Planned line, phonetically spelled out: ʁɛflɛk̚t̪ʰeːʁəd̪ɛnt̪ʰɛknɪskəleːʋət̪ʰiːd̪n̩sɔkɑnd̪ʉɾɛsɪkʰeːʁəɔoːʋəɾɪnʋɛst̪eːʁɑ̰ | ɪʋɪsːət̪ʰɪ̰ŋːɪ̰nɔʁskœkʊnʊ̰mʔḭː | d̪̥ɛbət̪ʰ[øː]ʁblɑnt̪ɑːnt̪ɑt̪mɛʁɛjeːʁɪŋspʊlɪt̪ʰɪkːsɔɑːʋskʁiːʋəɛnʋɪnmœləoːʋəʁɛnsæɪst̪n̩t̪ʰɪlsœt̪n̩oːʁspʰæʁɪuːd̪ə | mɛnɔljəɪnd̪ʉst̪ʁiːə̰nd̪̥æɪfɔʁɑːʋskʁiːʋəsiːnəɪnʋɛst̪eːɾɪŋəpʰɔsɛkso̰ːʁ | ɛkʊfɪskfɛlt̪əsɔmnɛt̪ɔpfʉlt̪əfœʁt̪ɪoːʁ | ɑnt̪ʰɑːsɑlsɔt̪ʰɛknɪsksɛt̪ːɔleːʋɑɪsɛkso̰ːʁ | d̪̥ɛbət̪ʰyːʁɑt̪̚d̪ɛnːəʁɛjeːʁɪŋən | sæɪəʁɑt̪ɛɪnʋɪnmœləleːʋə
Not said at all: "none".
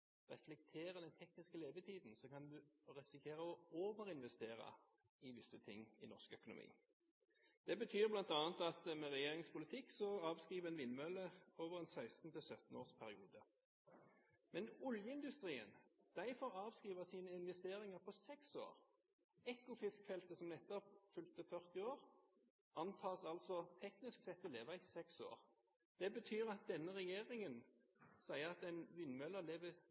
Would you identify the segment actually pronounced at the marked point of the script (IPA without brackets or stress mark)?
yː